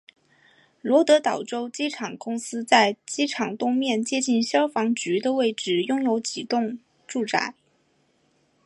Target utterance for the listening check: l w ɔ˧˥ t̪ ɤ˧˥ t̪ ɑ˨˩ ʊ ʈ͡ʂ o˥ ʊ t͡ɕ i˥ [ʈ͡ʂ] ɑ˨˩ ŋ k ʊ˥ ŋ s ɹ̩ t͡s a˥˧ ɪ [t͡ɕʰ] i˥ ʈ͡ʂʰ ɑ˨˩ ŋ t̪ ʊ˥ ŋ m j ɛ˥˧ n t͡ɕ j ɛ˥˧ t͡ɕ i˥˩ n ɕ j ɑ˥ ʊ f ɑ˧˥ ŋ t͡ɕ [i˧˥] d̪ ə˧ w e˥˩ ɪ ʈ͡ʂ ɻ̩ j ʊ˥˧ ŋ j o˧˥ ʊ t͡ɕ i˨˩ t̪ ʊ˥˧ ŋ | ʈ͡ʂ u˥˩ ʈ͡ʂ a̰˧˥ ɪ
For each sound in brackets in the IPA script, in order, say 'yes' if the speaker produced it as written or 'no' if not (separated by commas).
no, no, no